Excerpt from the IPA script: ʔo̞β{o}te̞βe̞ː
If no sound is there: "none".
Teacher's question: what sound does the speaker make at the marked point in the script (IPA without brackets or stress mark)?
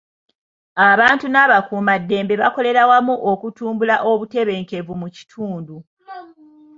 u